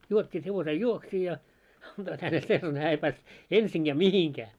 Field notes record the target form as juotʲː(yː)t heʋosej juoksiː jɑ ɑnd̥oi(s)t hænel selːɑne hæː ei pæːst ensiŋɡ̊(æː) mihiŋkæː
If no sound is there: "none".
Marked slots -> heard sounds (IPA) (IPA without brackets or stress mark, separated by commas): iː, none, æː